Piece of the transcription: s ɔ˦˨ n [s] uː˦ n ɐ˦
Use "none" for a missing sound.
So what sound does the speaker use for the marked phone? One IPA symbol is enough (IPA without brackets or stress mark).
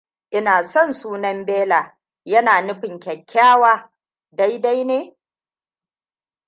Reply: s